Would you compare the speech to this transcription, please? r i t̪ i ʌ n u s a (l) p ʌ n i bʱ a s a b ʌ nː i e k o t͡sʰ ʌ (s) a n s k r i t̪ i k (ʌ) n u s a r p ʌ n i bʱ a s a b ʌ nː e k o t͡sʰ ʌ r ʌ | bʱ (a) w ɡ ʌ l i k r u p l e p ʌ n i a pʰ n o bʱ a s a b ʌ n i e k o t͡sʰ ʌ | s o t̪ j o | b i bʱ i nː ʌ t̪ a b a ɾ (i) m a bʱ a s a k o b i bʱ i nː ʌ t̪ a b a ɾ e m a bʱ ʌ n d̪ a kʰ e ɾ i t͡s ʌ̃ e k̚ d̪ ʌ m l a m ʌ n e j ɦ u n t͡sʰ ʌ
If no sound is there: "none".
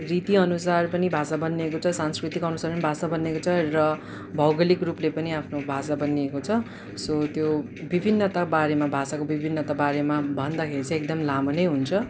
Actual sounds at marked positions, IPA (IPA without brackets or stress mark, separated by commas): r, s, ʌ, ʌ, e